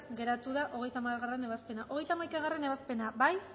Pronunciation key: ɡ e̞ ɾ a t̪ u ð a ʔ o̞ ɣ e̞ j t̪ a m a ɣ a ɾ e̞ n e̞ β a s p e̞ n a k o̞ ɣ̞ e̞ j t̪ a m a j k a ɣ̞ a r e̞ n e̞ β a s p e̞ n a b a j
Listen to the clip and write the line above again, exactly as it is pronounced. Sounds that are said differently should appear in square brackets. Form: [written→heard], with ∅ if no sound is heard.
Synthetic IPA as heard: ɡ e̞ ɾ a t̪ u ð a ʔ o̞ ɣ e̞ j t̪ a m a ɣ a [ɾ→r] e̞ n e̞ β a s p e̞ n a [k→ʔ] o̞ ɣ̞ e̞ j t̪ a m a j k a ɣ̞ a r e̞ n e̞ β a s p e̞ n a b a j